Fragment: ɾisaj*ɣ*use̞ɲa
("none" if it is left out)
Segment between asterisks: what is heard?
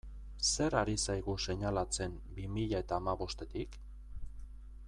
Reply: ɣ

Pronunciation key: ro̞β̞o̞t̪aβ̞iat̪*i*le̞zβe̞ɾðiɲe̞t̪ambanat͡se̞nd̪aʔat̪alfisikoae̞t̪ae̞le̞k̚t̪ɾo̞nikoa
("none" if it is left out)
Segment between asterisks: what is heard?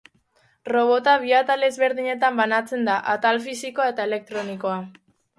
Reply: a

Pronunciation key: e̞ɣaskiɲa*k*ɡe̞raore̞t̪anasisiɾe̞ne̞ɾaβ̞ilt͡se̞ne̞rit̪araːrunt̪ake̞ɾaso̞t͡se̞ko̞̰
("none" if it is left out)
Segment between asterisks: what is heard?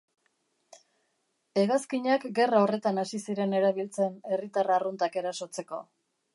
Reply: k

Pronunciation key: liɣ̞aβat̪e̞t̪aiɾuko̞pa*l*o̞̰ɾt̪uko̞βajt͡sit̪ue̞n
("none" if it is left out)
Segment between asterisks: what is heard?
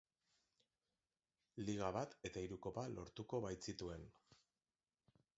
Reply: l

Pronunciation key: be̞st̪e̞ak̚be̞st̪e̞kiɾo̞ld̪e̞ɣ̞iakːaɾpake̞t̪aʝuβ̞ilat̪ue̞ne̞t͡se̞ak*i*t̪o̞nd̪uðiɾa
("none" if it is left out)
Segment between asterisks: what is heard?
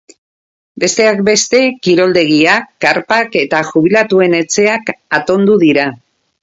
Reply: a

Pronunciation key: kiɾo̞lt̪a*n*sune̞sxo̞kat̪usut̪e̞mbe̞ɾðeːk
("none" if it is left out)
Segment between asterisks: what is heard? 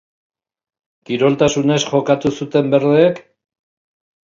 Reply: none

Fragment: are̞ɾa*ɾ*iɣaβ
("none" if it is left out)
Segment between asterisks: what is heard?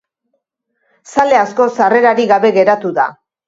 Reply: ɾ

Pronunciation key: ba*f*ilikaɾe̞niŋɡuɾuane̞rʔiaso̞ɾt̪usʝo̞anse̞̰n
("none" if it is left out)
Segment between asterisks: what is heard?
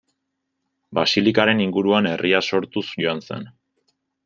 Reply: s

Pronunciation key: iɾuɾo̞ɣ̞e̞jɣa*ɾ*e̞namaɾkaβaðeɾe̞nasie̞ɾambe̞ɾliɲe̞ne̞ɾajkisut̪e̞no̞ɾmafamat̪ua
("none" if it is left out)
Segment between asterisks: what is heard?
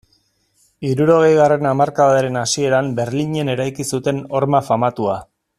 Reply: r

